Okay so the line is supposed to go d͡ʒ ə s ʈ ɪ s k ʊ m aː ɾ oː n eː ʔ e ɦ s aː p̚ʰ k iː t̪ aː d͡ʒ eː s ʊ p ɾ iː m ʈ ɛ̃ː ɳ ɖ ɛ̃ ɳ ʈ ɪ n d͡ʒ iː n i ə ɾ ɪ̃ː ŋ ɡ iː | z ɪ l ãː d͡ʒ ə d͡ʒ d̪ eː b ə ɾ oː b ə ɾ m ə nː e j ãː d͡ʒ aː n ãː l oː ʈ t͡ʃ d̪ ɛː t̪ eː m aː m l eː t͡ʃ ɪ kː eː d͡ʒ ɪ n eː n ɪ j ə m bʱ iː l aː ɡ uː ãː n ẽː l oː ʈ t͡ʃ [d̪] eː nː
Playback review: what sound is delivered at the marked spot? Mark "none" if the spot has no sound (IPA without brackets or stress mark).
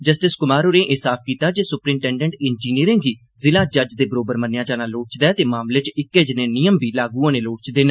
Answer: d̪